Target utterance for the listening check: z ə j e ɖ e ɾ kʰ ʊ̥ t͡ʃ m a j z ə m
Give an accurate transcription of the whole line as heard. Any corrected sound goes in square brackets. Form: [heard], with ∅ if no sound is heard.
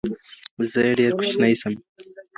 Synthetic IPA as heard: z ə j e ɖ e ɾ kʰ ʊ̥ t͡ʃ [n] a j [s] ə m